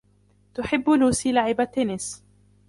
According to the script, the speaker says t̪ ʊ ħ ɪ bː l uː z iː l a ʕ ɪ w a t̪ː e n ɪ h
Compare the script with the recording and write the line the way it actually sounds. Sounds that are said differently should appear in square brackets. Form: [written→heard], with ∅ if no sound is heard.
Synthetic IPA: t̪ ʊ ħ ɪ bː l uː [z→s] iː l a ʕ ɪ [w→b] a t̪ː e n ɪ [h→s]